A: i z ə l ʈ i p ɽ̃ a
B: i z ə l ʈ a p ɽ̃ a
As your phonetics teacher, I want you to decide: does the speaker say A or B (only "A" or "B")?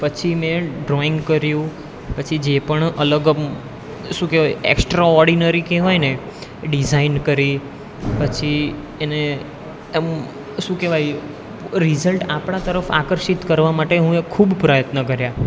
B